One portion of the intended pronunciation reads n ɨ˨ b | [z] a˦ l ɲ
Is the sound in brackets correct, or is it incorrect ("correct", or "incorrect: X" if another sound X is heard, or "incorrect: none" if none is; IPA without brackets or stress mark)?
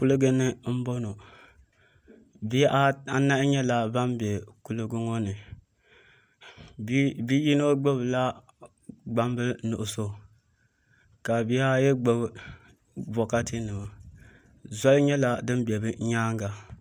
correct